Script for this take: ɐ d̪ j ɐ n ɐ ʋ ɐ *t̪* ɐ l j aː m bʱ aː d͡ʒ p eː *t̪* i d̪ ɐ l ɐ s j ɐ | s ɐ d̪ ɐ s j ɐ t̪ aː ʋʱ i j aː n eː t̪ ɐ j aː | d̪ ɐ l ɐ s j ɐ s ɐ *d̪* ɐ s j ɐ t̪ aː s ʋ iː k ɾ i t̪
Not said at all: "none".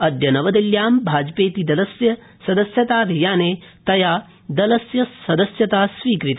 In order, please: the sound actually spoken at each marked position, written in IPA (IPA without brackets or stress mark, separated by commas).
d̪, t̪, d̪